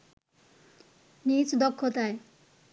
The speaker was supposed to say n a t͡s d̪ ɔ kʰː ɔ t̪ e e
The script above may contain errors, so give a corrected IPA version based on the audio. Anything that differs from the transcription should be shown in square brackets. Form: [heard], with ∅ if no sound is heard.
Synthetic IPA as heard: n [i] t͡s d̪ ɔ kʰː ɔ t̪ [a] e